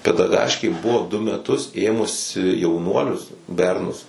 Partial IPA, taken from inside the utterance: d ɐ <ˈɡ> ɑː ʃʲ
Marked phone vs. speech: correct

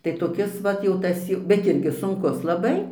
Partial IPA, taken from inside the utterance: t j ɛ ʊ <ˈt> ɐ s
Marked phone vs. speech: correct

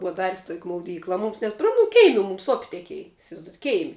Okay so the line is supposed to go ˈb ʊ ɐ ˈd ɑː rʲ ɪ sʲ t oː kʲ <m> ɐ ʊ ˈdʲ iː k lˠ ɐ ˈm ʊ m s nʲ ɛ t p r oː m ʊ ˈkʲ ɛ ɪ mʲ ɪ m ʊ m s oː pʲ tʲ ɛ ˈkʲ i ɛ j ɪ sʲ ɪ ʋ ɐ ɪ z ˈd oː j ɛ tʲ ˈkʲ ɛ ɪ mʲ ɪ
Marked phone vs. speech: correct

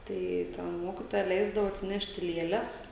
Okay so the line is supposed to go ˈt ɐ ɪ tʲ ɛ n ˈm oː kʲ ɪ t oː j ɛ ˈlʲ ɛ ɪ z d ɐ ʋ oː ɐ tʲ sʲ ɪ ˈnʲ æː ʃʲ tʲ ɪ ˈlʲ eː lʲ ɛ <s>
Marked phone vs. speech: correct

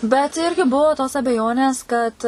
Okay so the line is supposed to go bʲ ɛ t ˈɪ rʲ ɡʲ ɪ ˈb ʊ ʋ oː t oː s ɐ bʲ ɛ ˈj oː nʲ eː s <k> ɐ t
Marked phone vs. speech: correct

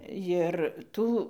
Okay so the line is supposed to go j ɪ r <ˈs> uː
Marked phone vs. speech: incorrect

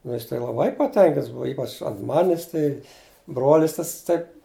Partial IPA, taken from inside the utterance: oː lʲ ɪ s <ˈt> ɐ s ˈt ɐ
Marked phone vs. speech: correct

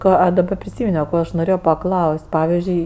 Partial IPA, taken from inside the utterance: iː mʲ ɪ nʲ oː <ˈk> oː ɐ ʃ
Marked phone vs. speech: correct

